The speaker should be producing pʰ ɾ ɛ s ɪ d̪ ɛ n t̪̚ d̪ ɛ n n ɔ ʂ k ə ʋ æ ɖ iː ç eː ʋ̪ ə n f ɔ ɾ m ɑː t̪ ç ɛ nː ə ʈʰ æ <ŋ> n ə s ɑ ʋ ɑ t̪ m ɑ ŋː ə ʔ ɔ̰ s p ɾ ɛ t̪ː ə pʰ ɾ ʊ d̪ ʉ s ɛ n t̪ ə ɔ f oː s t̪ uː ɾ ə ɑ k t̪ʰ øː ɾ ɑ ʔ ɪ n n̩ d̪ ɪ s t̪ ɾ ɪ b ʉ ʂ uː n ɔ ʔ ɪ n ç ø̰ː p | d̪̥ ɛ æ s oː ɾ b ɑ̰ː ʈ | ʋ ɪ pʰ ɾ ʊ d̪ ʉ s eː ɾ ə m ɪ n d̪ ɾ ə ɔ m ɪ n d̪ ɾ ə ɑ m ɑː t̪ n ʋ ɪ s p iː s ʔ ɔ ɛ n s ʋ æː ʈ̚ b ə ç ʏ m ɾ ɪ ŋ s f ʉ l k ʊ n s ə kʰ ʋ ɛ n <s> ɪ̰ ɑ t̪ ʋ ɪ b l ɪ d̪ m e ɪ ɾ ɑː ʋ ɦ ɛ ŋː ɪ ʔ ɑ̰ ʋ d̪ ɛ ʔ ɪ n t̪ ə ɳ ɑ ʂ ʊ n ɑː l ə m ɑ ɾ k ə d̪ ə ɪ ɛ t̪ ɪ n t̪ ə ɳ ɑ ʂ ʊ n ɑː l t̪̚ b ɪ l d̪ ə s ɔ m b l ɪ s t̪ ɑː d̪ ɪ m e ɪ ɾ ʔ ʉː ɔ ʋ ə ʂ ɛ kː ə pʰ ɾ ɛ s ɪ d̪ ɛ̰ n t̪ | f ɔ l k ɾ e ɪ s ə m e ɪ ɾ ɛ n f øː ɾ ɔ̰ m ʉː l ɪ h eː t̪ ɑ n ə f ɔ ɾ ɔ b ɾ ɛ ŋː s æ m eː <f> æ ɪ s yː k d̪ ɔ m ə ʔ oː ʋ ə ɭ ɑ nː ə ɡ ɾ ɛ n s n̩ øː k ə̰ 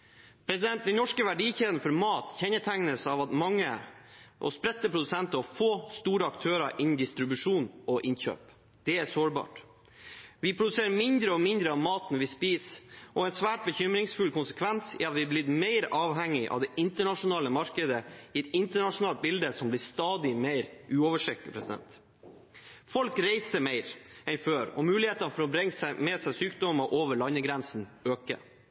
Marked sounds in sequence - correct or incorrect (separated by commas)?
correct, correct, incorrect